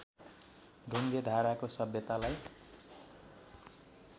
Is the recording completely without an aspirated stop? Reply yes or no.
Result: yes